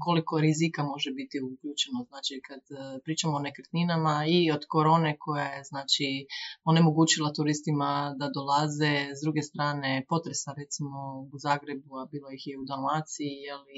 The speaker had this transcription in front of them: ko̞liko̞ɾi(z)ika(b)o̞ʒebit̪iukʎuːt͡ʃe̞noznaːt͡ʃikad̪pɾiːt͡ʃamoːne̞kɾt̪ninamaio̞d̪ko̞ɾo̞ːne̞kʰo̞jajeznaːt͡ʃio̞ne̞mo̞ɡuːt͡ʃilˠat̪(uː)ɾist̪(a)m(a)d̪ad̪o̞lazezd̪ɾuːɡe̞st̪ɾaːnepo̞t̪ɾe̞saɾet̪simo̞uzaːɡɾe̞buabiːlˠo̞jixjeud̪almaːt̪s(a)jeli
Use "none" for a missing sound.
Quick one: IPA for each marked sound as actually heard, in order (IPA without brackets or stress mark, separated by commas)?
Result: z, m, u, i, a, i